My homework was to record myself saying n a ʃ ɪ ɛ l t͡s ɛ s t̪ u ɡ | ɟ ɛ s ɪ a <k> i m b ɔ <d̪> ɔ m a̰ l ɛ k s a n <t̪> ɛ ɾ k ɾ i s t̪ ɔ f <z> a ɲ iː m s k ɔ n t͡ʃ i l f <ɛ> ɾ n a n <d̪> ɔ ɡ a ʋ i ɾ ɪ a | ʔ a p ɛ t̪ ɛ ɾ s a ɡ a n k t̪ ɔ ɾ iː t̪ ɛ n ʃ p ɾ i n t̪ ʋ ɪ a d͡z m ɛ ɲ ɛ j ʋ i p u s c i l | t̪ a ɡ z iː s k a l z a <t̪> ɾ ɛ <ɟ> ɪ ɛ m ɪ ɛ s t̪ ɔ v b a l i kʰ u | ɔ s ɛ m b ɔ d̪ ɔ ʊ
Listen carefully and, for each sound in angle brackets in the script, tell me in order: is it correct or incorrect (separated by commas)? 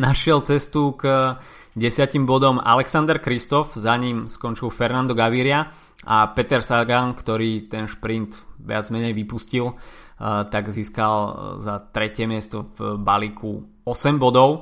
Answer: incorrect, correct, incorrect, correct, correct, correct, correct, incorrect